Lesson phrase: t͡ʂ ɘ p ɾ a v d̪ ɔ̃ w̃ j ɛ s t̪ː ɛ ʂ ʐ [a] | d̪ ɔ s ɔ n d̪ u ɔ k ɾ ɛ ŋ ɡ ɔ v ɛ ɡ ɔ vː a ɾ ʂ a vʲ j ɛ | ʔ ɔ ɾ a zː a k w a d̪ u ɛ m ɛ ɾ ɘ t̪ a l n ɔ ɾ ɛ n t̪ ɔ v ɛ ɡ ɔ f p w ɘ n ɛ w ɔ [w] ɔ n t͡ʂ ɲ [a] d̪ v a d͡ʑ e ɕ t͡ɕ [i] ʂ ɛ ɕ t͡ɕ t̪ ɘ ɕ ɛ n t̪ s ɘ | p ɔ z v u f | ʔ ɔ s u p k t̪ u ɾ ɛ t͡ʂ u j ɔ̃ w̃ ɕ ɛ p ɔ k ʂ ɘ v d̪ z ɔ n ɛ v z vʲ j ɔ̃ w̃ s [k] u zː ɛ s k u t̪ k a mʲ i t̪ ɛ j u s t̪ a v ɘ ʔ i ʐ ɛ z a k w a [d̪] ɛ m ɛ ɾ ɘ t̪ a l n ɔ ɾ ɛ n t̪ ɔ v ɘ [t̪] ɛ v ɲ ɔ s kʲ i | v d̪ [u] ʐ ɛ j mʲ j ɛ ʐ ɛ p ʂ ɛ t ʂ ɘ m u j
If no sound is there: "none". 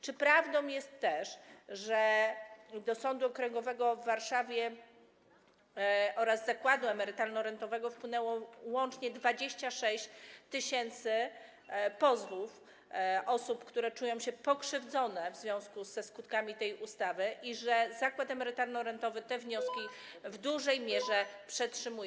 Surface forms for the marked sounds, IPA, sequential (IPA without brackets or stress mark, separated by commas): ɛ, w, ɛ, a, k, t̪, t̪, u